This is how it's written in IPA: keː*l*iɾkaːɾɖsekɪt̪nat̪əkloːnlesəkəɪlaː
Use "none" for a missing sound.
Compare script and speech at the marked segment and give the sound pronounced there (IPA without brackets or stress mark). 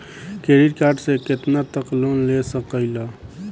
ɾ